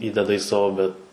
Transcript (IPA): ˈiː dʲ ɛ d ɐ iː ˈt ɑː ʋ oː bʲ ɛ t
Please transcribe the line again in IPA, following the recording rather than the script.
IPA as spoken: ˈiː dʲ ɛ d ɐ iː ˈs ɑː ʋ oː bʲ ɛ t

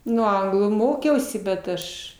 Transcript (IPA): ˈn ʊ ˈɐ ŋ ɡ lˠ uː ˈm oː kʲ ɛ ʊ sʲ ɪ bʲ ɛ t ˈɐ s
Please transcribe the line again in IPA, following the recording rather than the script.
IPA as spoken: ˈn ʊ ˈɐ ŋ ɡ lˠ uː ˈm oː kʲ ɛ ʊ sʲ ɪ bʲ ɛ t ˈɐ ʃ

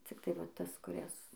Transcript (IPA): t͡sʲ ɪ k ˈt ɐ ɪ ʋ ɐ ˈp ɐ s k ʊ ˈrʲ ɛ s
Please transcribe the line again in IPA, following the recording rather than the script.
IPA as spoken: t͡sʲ ɪ k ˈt ɐ ɪ ʋ ɐ ˈt ɐ s k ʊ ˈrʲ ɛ s

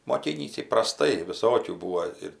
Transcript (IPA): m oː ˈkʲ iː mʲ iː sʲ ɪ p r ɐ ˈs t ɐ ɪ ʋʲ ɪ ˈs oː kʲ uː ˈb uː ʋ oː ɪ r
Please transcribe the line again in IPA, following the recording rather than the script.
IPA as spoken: m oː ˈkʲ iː nʲ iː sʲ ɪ p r ɐ ˈs t ɐ ɪ ʋʲ ɪ ˈs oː kʲ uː ˈb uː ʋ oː ɪ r

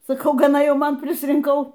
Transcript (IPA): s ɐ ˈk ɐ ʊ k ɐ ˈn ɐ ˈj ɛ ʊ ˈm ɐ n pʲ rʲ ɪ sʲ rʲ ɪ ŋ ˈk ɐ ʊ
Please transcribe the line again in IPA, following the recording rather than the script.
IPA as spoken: s ɐ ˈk ɐ ʊ ɡ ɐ ˈn ɐ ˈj ɛ ʊ ˈm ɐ n pʲ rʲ ɪ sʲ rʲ ɪ ŋ ˈk ɐ ʊ

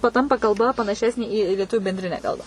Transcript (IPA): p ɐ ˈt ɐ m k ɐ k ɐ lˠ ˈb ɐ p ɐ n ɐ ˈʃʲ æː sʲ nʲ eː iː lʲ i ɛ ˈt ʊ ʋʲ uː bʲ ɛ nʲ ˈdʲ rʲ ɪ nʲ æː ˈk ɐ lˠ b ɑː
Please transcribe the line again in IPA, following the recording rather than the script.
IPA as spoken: p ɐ ˈt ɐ m p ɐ k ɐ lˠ ˈb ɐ p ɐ n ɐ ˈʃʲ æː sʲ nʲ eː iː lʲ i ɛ ˈt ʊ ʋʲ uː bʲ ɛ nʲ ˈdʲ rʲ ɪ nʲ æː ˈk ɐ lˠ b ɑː

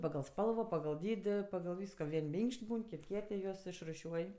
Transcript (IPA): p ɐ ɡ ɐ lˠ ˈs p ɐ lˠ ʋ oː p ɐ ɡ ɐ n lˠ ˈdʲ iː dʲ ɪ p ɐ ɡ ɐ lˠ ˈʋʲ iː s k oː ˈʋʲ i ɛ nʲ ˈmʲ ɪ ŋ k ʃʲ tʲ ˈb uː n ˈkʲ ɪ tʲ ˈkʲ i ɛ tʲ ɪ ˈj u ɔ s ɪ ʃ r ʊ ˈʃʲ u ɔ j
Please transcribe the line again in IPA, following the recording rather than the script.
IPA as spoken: p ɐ ɡ ɐ lˠ ˈs p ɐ lˠ ʋ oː p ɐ ɡ ɐ lˠ ˈdʲ iː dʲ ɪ p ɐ ɡ ɐ lˠ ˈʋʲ iː s k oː ˈʋʲ i ɛ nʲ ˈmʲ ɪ ŋ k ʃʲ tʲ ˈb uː n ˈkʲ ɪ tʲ ˈkʲ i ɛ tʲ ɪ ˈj u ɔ s ɪ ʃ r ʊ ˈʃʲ u ɔ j

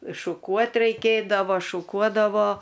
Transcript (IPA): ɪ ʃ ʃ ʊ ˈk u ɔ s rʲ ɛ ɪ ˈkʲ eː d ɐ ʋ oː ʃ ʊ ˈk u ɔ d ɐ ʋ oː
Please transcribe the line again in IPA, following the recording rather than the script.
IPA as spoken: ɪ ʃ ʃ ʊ ˈk u ɔ t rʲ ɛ ɪ ˈkʲ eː d ɐ ʋ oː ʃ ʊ ˈk u ɔ d ɐ ʋ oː

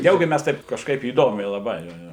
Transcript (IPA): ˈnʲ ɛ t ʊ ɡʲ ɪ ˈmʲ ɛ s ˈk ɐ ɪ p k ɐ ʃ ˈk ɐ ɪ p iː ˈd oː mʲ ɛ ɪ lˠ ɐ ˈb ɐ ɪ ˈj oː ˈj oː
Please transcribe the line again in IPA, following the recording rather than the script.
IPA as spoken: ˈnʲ ɛ ʊ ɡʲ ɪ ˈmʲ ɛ s ˈt ɐ ɪ p k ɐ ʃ ˈk ɐ ɪ p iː ˈd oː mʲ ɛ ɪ lˠ ɐ ˈb ɐ ɪ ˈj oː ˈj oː

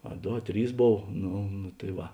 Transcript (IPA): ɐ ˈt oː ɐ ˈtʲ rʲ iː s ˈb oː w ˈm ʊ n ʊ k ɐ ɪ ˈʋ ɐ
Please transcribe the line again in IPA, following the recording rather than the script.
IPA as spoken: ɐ ˈd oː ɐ ˈtʲ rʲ iː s ˈb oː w ˈn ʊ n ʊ t ɐ ɪ ˈʋ ɐ

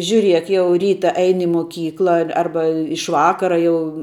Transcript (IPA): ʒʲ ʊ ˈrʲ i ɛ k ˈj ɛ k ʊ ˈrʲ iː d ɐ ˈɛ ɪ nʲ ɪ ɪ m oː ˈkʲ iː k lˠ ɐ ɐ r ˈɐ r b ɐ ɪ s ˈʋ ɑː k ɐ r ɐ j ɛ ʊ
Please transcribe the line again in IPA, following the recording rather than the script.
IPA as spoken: ʒʲ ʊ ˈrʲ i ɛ k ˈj ɛ ʊ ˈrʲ iː t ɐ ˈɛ ɪ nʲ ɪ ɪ m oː ˈkʲ iː k lˠ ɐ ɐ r ˈɐ r b ɐ ɪ ʃ ˈʋ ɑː k ɐ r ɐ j ɛ ʊ

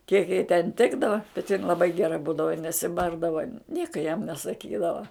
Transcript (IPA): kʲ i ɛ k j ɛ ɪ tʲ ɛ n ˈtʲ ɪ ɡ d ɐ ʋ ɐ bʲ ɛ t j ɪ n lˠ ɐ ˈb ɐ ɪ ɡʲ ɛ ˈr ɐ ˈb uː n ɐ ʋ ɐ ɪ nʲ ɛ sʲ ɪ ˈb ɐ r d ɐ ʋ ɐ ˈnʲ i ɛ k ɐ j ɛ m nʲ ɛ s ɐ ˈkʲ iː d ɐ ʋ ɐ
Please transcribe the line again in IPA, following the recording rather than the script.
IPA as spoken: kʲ i ɛ k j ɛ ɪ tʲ ɛ n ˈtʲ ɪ ɡ d ɐ ʋ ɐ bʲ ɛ t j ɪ n lˠ ɐ ˈb ɐ ɪ ɡʲ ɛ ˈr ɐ ˈb uː d ɐ ʋ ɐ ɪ nʲ ɛ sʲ ɪ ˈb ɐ r d ɐ ʋ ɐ ˈnʲ i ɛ k ɐ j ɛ m nʲ ɛ s ɐ ˈkʲ iː d ɐ ʋ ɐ

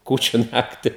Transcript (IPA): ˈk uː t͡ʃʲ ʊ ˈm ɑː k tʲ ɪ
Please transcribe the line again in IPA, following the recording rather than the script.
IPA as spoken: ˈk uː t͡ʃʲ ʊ ˈn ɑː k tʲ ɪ

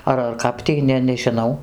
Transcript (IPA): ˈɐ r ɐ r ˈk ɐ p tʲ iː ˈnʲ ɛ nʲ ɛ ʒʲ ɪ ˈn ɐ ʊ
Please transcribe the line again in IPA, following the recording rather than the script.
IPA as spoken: ˈɐ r ɐ r ˈk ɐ p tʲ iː ˈnʲ ɛ nʲ ɛ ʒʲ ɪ ˈn ɐ ʊ

